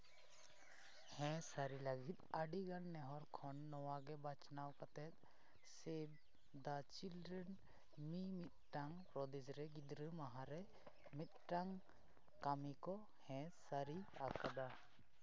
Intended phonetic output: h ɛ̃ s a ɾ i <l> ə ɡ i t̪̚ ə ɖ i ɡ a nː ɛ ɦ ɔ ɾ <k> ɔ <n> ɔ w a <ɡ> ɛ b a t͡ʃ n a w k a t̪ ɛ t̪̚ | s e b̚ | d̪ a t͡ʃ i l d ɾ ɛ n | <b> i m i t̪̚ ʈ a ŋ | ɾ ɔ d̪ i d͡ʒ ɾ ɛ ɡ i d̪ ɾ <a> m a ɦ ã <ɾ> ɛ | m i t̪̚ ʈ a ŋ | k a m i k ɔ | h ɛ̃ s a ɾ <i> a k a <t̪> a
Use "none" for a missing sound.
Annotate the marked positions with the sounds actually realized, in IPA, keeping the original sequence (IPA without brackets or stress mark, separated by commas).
l, kʰ, nː, ɡ, m, ə, ɾ, i, d̪